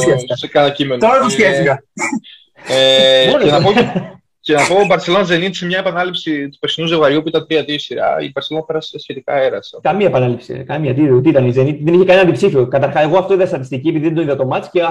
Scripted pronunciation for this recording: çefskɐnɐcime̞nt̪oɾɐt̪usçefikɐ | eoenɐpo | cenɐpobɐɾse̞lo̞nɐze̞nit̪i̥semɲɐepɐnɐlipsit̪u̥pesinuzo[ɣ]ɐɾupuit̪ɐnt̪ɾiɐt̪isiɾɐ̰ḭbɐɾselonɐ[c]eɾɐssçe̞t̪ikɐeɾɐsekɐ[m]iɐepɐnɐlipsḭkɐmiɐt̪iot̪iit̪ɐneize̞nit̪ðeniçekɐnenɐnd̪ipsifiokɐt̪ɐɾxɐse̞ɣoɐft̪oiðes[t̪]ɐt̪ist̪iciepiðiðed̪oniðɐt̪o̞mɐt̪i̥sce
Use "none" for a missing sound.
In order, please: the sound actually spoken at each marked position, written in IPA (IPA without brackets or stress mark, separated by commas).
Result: ɣ, p, m, t̪